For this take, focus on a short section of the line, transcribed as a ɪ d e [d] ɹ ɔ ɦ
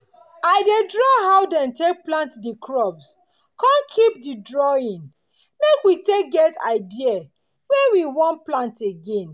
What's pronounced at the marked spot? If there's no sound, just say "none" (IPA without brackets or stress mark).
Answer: d